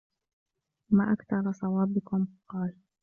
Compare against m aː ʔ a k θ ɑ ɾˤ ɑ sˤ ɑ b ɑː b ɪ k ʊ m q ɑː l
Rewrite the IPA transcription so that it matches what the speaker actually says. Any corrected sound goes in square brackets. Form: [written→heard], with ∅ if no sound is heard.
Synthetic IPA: m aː ʔ a k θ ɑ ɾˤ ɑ sˤ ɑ [b→w] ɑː b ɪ k ʊ m q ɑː l